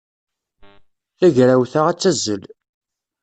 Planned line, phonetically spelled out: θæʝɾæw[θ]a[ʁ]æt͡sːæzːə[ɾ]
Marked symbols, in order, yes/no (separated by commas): yes, yes, no